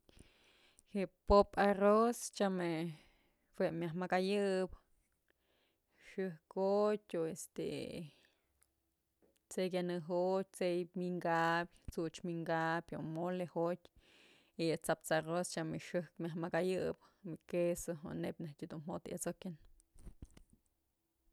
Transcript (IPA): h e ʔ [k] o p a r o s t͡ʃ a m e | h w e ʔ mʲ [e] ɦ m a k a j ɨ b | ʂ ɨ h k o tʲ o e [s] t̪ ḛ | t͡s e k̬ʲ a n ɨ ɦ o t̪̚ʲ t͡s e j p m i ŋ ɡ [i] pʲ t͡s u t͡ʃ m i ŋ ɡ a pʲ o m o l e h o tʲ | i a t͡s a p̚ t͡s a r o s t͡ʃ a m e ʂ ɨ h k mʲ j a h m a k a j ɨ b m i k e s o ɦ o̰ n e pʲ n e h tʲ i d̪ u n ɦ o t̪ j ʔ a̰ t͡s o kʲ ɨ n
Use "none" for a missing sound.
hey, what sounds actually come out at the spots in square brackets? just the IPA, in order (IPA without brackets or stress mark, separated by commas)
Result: p, a, s, a